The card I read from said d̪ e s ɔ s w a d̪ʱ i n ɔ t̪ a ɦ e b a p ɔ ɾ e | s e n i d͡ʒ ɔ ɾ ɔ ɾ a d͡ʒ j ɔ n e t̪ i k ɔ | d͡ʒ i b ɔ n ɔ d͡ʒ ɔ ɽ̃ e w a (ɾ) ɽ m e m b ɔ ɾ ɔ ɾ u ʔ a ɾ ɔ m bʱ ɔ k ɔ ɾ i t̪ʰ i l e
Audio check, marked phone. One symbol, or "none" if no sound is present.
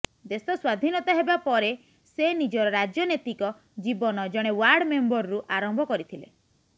ɾ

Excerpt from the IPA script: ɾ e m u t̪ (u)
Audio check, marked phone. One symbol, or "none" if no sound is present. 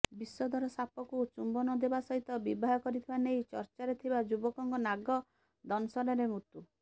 u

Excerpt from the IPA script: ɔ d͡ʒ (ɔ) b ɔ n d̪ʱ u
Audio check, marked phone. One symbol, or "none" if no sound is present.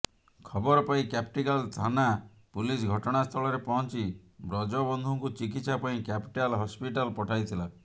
ɔ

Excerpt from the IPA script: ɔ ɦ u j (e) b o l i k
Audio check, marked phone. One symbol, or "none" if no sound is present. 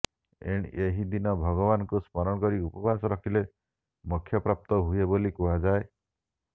e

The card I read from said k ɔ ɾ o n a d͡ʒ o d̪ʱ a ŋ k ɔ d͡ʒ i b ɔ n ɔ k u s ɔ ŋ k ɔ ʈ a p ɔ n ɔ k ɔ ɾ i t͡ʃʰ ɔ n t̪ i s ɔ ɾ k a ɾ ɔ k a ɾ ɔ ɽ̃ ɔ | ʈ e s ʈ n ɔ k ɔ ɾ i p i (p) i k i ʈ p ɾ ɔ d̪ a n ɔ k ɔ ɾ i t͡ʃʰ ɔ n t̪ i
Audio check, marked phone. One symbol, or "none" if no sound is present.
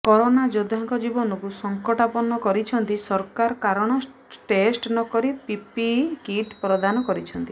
p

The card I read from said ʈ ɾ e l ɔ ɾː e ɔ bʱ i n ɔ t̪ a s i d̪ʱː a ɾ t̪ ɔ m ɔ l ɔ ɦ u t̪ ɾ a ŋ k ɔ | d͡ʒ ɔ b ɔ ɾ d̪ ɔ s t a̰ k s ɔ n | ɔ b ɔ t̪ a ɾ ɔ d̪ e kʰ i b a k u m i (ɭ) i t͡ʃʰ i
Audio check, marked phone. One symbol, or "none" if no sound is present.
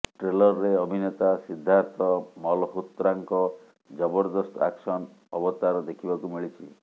ɭ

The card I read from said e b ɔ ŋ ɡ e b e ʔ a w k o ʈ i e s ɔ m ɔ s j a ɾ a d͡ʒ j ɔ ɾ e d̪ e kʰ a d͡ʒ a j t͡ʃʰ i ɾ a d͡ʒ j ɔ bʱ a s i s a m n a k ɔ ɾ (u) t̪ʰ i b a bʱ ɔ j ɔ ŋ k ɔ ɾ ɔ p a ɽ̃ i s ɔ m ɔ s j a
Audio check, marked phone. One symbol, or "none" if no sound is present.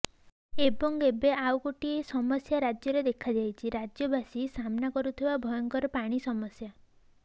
u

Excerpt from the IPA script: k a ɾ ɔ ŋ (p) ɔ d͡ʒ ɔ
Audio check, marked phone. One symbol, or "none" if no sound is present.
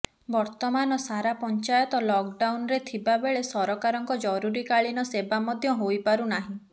k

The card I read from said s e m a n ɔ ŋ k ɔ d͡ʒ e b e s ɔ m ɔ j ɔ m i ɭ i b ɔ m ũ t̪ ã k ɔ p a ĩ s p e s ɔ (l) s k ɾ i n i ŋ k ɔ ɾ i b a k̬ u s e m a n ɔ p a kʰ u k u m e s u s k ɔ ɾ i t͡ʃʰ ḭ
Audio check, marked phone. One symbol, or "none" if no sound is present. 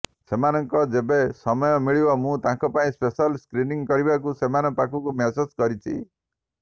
l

